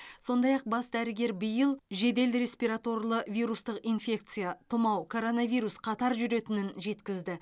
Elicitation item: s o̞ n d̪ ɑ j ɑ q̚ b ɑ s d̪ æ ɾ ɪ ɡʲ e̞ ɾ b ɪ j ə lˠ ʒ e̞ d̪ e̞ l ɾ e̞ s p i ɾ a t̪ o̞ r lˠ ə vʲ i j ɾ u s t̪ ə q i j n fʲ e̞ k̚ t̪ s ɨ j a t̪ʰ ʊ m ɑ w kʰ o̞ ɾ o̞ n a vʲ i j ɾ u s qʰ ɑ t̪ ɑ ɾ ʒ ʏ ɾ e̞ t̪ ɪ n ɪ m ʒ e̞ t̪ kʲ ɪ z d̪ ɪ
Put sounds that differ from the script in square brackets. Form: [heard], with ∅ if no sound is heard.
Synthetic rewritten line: s o̞ n d̪ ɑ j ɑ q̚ b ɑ s d̪ æ ɾ ɪ ɡʲ e̞ ɾ b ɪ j ə lˠ ʒ e̞ d̪ e̞ l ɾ e̞ s p i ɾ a t̪ o̞ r lˠ ə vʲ i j ɾ u s t̪ ə q i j n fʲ e̞ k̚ t̪ s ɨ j a t̪ʰ ʊ m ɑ w kʰ o̞ ɾ o̞ n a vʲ i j ɾ u s qʰ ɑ t̪ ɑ ɾ ʒ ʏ ɾ e̞ t̪ ɪ n ɪ [n] ʒ e̞ t̪ kʲ ɪ z d̪ ɪ